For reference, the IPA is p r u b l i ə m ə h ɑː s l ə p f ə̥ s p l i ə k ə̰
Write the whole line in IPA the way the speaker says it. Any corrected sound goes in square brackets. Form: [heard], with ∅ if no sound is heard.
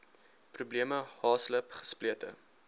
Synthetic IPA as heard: p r u b l i ə m ə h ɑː s l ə p [χ] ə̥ s p l i ə [t] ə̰